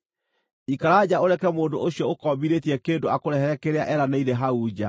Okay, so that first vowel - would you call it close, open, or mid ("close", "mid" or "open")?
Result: close